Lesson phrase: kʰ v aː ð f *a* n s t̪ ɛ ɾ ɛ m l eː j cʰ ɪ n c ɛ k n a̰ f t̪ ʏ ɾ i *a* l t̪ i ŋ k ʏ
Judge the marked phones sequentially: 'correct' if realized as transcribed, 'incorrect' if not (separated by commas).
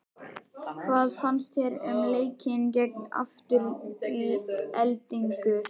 correct, incorrect